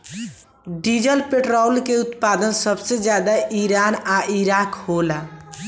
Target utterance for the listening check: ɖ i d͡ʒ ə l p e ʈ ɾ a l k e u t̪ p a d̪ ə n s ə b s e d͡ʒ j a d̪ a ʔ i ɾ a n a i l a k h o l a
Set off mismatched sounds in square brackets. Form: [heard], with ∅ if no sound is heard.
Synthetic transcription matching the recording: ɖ i d͡ʒ ə l p e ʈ ɾ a l k e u t̪ p a d̪ ə n s ə b s e d͡ʒ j a d̪ a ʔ i ɾ a n a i [ɾ] a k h o l a